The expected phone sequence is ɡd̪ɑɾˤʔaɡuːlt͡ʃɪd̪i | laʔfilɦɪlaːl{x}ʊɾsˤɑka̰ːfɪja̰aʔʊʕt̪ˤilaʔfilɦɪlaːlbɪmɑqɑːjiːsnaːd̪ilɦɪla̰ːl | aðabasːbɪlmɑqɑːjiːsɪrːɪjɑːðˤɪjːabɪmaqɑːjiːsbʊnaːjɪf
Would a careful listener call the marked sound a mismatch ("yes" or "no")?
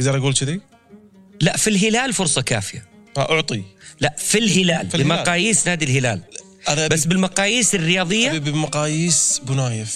yes